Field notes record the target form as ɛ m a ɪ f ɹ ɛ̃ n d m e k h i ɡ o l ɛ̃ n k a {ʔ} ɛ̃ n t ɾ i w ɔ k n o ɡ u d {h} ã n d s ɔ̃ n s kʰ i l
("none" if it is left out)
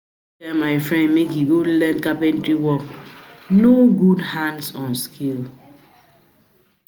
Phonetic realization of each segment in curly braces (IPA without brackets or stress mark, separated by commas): p, h